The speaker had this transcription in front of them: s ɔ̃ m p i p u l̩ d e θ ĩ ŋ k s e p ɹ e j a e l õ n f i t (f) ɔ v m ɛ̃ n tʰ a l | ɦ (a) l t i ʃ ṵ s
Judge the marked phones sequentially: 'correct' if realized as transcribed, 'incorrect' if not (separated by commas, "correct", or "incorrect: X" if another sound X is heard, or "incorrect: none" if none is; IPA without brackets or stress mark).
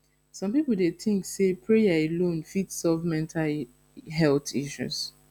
incorrect: s, incorrect: ɛ